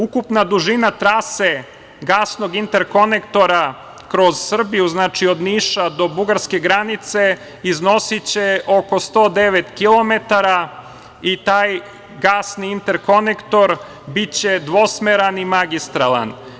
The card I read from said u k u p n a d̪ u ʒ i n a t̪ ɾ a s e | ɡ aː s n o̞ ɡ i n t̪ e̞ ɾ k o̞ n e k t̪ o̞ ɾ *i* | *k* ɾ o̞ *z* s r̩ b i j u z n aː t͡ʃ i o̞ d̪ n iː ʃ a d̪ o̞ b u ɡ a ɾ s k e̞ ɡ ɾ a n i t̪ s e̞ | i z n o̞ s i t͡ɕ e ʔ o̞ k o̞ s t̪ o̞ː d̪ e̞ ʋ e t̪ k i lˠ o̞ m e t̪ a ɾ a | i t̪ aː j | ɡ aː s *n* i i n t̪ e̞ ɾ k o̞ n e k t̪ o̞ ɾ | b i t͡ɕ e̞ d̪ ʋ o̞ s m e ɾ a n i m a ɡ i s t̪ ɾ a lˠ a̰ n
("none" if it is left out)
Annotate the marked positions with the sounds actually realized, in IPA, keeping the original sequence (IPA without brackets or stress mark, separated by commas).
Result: a, k, z, n